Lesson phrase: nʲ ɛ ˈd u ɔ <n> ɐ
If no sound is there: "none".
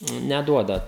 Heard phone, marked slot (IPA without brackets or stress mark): d